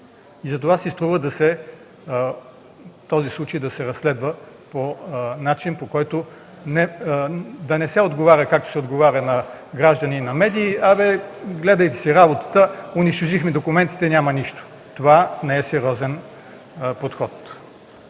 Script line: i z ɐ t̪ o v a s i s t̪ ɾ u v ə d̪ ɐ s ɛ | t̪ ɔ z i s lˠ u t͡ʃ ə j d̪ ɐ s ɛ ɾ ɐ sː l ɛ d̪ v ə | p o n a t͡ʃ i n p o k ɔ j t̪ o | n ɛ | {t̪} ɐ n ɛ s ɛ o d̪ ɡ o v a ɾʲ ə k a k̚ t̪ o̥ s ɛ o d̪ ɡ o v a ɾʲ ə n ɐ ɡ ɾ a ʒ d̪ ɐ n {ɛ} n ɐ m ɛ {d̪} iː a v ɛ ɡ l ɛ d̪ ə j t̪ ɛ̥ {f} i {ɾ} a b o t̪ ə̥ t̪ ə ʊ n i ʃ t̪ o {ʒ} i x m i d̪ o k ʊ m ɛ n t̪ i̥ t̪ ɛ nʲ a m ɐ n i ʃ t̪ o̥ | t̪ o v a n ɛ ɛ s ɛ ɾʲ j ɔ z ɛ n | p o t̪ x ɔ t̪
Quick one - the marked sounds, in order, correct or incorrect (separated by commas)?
incorrect, incorrect, correct, incorrect, correct, correct